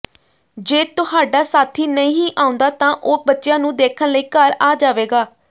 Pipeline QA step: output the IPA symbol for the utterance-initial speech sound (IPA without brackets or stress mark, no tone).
d͡ʒ